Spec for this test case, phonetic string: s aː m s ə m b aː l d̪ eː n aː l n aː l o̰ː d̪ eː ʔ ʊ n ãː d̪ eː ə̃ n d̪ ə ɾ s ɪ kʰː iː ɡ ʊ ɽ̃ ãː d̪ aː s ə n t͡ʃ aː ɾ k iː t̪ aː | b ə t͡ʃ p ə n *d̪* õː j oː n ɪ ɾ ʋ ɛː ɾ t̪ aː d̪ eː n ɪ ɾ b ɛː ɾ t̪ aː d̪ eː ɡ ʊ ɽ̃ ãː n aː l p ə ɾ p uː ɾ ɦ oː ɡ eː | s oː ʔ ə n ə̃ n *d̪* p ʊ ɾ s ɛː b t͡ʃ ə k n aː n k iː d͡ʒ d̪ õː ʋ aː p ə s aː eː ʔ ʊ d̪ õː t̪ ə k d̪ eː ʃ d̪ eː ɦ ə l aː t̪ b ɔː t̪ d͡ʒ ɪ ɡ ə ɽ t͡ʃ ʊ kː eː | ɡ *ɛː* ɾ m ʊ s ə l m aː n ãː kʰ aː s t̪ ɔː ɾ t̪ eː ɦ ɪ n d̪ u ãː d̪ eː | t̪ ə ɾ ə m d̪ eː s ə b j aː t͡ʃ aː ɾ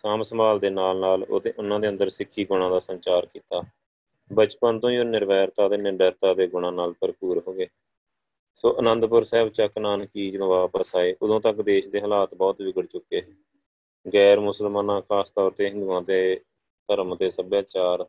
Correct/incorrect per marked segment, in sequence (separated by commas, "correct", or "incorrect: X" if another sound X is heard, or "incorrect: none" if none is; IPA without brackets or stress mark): incorrect: t̪, correct, correct